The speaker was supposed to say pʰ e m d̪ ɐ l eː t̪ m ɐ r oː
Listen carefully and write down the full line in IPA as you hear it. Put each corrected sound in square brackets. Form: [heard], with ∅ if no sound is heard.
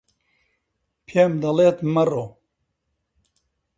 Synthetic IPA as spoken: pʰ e m d̪ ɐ l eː t̪ m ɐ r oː